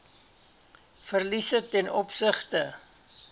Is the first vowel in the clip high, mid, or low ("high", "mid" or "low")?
mid